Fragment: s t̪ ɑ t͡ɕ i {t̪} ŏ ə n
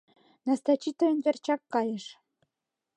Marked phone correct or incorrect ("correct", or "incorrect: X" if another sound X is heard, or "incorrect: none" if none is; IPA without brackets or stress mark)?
correct